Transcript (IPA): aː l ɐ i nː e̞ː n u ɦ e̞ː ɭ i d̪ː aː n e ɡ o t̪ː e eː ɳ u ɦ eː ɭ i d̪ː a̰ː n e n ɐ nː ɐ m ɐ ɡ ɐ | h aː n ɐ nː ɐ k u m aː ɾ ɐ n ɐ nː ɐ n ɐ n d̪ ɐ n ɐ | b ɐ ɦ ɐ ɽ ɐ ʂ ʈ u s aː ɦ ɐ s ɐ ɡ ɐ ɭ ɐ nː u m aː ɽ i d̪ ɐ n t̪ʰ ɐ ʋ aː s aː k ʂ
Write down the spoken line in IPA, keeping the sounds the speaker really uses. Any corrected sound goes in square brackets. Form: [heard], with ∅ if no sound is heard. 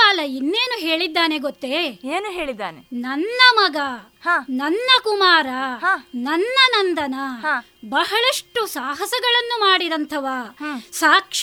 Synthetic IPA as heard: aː l ɐ i nː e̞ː n u ɦ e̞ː ɭ i d̪ː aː n e ɡ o t̪ː e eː [n] u ɦ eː ɭ i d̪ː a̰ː n e n ɐ nː ɐ m ɐ ɡ ɐ | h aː n ɐ nː ɐ k u m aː ɾ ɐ n ɐ nː ɐ n ɐ n d̪ ɐ n ɐ | b ɐ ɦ ɐ [ɭ] ɐ ʂ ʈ u s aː ɦ ɐ s ɐ ɡ ɐ ɭ ɐ nː u m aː ɽ i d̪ ɐ n t̪ʰ ɐ ʋ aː s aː k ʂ